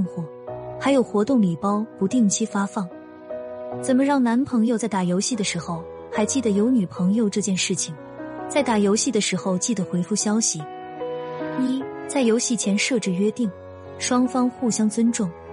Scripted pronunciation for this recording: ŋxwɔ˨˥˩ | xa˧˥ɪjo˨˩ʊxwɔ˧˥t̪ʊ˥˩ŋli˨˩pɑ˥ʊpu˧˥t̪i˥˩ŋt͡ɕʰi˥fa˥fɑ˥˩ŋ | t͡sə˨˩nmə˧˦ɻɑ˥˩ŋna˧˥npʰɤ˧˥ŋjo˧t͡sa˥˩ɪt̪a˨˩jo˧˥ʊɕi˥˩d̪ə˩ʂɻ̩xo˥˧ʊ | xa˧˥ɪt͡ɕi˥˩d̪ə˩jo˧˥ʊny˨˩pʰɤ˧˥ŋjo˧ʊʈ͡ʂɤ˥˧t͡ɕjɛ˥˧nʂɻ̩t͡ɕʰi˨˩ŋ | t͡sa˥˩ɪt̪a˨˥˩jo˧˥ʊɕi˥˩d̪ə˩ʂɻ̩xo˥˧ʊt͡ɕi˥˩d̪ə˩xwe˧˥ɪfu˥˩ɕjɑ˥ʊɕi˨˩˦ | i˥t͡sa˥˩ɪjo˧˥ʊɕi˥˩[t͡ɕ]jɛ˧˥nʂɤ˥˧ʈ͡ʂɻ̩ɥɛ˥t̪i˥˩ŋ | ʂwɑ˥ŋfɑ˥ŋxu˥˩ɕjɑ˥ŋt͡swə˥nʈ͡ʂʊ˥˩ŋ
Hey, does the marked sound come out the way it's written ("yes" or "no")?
no